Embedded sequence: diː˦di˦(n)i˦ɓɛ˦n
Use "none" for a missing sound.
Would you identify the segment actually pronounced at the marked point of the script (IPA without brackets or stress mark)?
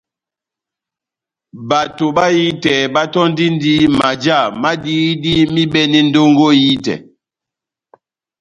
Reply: m